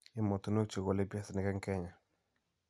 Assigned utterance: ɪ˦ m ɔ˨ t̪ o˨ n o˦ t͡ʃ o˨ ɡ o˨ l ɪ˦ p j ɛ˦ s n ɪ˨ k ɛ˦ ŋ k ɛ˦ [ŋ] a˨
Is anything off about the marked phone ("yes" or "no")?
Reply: yes